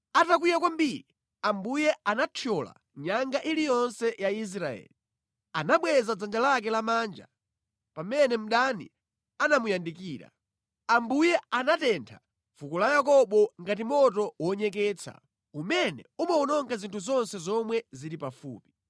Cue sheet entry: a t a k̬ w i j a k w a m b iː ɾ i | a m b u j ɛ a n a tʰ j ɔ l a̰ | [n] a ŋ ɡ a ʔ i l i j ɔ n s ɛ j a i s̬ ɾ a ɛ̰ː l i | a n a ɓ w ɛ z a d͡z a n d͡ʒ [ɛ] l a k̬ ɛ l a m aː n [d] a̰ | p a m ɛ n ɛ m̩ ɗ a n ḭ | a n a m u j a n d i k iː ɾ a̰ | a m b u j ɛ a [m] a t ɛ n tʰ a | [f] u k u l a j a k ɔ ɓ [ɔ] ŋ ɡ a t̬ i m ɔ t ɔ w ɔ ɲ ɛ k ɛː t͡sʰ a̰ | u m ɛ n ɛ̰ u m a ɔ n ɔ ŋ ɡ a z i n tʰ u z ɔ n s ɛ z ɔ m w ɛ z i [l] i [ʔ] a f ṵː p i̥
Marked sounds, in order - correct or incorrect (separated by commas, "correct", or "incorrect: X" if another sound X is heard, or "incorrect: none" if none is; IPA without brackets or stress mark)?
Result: incorrect: ɲ, incorrect: a, incorrect: d͡ʒ, incorrect: n, correct, correct, incorrect: ɾ, incorrect: p